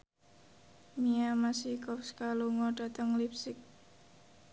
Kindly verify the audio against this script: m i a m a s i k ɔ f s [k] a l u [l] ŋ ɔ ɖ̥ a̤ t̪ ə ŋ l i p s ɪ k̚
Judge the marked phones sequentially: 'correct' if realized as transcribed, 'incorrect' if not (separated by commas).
correct, incorrect